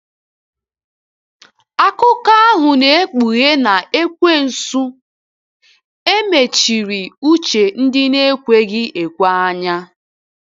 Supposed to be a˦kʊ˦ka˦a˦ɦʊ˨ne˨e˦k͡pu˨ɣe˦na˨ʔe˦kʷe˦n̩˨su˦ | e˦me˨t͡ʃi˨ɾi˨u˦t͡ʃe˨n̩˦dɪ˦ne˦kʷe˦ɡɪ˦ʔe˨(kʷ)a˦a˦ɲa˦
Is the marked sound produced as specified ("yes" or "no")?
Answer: yes